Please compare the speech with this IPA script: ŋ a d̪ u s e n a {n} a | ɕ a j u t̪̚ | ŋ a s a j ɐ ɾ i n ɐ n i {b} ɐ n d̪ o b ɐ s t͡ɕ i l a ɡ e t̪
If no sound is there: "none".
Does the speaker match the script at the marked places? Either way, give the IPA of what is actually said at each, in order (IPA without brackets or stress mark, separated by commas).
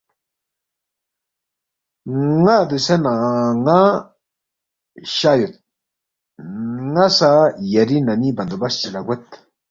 ŋ, b